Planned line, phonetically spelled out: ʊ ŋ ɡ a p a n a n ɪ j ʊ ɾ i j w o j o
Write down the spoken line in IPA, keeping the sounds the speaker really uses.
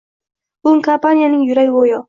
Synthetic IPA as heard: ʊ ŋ k a p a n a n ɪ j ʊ ɾ a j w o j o